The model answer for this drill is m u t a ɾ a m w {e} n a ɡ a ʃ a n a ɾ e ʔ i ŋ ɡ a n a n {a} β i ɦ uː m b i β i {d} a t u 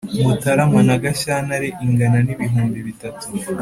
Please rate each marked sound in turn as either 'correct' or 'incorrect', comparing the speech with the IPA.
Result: incorrect, incorrect, incorrect

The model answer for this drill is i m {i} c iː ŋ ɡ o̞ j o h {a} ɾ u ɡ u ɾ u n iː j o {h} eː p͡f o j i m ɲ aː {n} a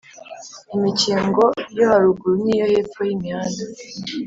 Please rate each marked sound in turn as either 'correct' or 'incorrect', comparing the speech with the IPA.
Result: correct, correct, correct, correct

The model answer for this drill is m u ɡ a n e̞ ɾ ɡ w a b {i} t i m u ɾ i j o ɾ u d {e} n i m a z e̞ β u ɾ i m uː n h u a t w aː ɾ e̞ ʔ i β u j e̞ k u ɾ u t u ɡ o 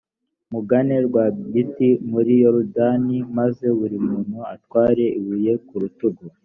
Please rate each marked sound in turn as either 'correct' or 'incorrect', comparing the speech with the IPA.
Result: correct, incorrect

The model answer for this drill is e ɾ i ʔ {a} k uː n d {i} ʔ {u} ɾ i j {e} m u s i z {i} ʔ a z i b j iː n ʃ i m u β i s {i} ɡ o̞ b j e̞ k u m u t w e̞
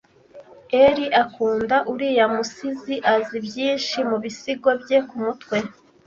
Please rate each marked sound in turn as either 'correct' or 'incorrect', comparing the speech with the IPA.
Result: correct, incorrect, correct, incorrect, correct, correct

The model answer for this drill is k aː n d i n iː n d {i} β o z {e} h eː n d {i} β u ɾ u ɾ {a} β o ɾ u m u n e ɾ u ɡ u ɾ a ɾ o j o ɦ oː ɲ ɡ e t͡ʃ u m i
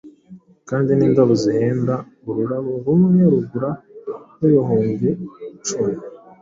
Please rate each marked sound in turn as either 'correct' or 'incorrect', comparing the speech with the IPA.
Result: incorrect, incorrect, incorrect, correct

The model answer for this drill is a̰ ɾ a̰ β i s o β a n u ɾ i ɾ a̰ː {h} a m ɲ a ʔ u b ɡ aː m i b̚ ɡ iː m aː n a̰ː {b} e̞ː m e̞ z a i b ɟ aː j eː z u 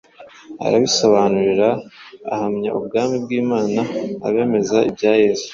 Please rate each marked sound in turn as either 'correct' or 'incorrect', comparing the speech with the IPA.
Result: correct, incorrect

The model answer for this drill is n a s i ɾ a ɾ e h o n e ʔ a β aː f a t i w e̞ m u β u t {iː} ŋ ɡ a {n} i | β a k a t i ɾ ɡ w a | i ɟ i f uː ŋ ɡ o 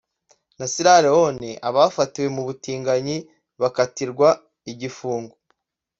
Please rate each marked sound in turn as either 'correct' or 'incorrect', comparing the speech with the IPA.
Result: correct, incorrect

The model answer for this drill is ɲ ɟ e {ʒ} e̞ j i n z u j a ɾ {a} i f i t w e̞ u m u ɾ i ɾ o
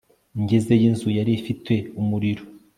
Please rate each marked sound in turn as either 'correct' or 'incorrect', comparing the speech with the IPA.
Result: incorrect, incorrect

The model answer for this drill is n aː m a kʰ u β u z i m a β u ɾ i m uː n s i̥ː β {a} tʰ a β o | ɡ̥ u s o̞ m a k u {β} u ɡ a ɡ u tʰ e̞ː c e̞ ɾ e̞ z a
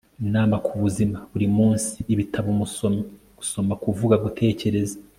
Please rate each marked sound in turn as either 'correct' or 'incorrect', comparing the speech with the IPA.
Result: incorrect, incorrect

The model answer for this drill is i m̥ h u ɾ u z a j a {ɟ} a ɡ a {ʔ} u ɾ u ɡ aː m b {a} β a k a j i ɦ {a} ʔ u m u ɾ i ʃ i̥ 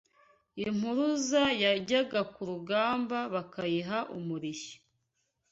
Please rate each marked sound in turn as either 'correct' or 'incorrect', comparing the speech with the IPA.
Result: correct, incorrect, correct, correct

